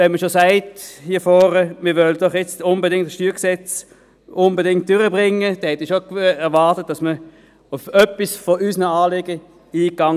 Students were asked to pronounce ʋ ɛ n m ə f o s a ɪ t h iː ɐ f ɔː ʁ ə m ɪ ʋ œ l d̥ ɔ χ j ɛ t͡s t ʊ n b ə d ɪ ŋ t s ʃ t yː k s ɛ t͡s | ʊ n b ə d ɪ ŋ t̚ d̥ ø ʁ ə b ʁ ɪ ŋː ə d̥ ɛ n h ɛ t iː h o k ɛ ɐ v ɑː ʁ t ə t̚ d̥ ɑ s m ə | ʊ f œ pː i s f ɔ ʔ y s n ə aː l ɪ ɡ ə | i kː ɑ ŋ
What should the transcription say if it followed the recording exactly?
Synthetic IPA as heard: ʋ ɛ n m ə ʃ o s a ɪ t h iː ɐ f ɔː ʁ ə m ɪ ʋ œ l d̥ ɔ χ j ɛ t͡s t ʊ n b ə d ɪ ŋ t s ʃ t yː k s ɛ t͡s | ʊ n b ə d ɪ ŋ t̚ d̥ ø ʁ ə b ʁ ɪ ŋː ə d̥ ɛ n h ɛ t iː ʃ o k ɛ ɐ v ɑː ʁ t ə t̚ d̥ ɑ s m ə | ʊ f œ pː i s f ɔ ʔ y s n ə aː l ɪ ɡ ə | iː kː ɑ ŋ